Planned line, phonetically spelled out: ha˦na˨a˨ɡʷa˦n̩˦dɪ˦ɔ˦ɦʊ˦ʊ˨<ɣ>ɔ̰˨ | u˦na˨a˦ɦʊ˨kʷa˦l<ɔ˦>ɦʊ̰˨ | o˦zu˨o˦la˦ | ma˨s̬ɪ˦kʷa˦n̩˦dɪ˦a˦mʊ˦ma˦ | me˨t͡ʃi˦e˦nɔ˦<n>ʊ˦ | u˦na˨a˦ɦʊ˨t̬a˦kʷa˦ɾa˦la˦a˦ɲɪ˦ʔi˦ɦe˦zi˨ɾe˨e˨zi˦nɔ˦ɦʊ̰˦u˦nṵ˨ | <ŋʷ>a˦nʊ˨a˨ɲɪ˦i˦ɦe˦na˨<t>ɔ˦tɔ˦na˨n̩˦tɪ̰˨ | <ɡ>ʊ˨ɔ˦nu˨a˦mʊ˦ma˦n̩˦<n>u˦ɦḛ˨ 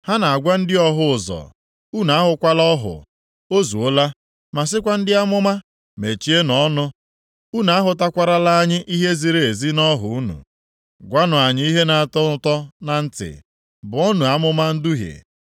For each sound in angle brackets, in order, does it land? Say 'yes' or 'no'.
no, yes, yes, no, yes, no, no

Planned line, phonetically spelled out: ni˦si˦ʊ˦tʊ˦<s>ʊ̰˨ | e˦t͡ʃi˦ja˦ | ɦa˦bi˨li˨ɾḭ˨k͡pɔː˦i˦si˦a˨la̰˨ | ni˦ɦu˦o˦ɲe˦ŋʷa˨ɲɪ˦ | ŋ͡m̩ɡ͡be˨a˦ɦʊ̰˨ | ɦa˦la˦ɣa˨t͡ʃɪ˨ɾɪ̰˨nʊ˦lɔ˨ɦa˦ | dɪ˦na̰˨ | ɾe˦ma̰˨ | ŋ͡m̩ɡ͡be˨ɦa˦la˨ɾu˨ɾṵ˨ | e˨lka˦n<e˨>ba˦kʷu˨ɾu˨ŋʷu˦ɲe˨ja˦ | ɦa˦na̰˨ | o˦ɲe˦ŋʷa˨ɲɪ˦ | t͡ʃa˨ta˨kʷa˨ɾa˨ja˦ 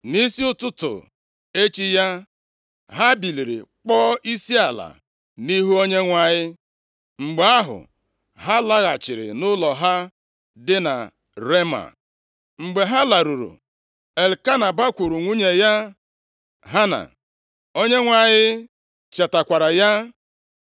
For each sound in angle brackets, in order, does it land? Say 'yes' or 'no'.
no, no

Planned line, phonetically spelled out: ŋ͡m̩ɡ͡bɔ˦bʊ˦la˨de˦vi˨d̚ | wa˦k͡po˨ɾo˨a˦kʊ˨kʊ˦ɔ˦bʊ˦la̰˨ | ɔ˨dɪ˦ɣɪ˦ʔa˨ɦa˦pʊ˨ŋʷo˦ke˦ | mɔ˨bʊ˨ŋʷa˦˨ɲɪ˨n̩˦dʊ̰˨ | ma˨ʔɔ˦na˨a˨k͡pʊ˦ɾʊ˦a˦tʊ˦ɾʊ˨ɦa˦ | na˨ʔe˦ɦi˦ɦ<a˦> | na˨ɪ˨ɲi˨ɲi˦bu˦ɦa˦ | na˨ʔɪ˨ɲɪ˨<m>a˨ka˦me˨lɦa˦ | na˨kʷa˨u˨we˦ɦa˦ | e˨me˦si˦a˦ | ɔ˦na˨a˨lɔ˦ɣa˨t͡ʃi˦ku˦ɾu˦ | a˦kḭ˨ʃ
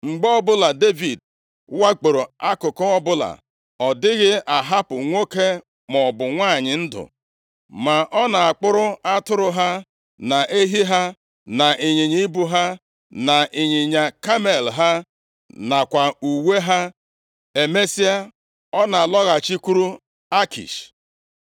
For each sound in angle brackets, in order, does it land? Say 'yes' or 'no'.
yes, no

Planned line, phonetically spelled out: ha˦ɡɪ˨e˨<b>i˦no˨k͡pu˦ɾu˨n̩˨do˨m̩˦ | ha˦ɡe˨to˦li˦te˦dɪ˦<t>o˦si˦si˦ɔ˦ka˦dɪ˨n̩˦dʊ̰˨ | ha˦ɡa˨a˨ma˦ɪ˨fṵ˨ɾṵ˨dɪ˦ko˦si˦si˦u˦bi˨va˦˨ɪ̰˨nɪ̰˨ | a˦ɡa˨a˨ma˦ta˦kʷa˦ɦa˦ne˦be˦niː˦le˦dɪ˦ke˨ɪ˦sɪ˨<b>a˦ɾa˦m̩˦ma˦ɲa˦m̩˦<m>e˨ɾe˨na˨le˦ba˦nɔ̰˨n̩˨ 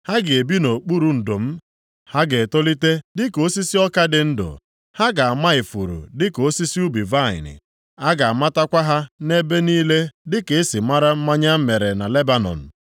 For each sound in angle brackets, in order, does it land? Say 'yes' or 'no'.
yes, no, no, yes

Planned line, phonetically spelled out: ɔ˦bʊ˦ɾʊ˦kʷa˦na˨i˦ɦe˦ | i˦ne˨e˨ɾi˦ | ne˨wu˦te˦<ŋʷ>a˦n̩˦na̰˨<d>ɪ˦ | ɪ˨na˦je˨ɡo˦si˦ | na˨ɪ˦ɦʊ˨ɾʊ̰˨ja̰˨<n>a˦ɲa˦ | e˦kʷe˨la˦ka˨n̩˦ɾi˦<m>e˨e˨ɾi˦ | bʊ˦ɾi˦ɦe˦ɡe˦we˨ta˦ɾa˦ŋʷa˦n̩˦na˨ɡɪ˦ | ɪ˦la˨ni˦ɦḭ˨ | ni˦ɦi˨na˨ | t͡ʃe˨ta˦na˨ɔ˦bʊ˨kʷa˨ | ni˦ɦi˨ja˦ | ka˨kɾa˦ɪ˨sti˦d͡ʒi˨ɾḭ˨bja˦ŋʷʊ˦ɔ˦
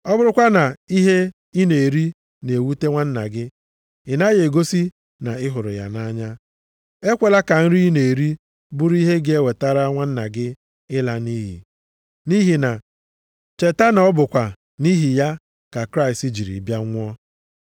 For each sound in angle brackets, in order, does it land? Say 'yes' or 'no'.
yes, no, yes, no

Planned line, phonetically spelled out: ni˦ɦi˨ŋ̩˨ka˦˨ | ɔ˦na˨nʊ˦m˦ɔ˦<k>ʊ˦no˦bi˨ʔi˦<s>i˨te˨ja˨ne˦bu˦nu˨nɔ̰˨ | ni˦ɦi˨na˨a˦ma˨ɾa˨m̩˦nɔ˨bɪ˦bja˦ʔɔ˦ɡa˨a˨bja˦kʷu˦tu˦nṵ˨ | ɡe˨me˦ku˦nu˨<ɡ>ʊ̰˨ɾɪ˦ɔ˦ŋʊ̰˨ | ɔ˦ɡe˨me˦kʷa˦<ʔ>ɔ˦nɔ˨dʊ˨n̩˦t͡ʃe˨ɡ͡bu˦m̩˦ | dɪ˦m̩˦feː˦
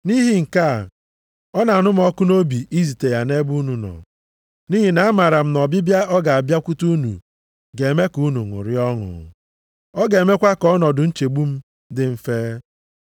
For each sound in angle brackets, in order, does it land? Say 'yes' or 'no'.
yes, no, no, no

